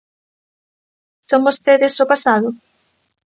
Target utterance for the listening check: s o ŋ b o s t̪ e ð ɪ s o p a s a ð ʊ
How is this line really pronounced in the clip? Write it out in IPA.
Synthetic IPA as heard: s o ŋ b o s t̪ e ð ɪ s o p a s a ð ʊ